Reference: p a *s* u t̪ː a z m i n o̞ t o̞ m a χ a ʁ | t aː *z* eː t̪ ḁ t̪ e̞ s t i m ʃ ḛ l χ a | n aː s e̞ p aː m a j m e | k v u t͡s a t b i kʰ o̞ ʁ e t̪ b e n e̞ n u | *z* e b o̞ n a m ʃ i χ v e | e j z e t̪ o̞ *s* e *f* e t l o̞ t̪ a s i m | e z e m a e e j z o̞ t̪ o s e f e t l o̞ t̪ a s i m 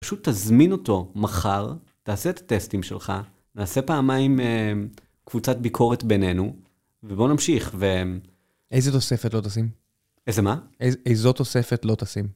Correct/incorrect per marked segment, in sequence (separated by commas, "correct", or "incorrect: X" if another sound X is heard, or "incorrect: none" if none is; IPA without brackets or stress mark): incorrect: ʃ, incorrect: s, incorrect: v, correct, correct